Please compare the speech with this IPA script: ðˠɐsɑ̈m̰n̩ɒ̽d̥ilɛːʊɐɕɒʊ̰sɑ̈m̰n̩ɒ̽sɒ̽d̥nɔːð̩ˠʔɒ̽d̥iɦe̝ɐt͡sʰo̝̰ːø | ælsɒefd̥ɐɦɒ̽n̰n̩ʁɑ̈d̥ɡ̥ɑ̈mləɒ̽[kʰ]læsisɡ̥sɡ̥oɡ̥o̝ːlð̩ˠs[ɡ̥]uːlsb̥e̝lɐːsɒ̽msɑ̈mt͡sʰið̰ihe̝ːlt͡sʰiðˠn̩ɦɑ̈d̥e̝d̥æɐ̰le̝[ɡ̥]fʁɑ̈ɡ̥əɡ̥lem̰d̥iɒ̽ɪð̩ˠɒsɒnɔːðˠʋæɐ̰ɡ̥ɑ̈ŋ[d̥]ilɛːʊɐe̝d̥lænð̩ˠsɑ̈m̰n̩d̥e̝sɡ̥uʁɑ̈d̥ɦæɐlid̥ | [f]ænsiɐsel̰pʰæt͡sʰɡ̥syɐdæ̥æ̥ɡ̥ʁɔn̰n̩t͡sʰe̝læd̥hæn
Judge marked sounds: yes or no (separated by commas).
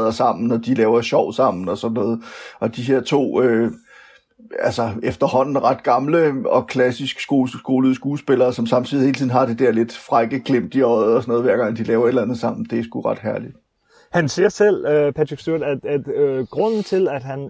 yes, yes, no, yes, no